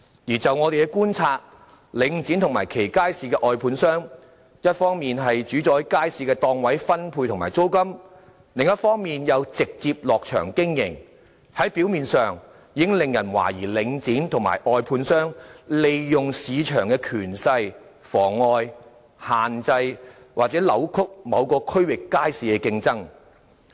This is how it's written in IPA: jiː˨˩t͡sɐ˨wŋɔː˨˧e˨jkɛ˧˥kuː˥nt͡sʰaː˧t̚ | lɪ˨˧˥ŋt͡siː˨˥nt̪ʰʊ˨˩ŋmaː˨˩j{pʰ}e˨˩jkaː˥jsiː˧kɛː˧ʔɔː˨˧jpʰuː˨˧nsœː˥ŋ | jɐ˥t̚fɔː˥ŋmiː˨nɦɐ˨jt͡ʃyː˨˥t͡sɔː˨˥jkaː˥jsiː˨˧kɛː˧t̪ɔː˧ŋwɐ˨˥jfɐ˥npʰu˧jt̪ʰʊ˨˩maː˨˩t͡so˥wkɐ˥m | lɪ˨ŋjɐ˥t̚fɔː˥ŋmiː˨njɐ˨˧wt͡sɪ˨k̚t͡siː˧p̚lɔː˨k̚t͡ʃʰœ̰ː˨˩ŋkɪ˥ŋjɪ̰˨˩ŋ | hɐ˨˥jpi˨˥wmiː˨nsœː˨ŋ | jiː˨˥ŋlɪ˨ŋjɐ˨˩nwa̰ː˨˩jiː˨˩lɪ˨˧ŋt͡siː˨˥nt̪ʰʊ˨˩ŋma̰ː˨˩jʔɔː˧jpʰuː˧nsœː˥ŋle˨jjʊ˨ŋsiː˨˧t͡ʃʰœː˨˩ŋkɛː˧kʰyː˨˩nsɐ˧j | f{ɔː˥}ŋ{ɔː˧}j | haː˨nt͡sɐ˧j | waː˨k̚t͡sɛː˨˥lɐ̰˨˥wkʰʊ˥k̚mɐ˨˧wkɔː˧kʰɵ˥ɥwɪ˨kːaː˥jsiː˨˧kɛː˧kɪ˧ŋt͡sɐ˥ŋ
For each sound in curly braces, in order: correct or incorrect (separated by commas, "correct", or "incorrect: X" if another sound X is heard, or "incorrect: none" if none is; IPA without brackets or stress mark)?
incorrect: kʰ, incorrect: ɔː˨˩, correct